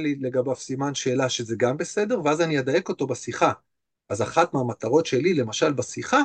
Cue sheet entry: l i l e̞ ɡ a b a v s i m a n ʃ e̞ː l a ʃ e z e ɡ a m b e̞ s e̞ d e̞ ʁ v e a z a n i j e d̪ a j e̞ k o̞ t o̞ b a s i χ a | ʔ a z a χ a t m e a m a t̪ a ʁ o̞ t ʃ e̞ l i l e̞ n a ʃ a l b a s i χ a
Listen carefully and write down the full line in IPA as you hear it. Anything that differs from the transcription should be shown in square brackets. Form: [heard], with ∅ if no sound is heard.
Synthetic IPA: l i l e̞ ɡ a b a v s i m a n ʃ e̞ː l a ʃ e z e ɡ a m b e̞ s e̞ d e̞ ʁ v e a z a n i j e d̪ a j e̞ k o̞ t o̞ b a s i χ a | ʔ a z a χ a t m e a m a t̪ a ʁ o̞ t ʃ e̞ l i l e̞ [m] a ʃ a l b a s i χ a